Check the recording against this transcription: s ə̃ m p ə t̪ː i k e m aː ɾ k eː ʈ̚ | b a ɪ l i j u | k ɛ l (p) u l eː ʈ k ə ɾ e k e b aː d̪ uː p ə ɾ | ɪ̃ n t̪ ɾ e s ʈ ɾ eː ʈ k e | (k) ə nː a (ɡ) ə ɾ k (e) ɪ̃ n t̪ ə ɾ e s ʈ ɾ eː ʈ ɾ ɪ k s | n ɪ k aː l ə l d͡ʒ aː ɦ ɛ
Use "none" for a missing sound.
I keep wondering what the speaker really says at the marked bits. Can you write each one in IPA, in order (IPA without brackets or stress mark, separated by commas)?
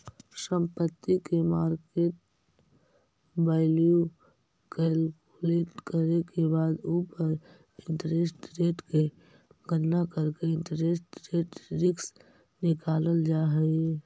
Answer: k, ɡ, k, e